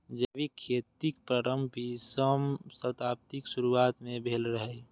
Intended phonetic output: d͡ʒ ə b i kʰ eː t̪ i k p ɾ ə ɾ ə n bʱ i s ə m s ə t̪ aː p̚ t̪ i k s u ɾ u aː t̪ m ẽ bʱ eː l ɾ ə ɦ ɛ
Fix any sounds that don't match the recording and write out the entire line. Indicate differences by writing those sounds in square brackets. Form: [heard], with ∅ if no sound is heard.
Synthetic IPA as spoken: d͡ʒ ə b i kʰ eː t̪ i k p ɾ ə ɾ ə [m] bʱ i s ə m s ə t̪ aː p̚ t̪ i k s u ɾ u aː t̪ m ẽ bʱ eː l ɾ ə ɦ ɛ